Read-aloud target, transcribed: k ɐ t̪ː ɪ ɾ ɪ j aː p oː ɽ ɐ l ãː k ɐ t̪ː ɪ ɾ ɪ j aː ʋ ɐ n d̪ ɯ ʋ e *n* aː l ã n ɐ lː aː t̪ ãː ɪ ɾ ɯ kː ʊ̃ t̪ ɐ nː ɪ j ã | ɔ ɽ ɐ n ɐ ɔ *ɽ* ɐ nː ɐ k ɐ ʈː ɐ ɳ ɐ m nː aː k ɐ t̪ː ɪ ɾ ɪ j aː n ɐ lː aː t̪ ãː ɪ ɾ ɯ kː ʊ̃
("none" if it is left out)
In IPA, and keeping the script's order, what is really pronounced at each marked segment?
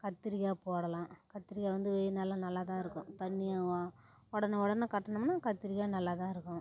n, ɽ

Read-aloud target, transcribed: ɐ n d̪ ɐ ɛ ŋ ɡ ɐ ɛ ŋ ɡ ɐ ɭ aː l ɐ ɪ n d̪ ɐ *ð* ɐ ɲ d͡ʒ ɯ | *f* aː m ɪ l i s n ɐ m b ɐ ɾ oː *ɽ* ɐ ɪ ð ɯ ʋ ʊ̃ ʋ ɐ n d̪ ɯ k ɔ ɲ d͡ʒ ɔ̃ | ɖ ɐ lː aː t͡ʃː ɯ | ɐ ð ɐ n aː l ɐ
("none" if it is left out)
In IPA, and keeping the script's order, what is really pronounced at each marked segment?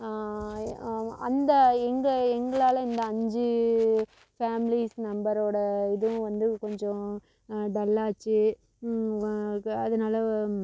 none, f, ɽ

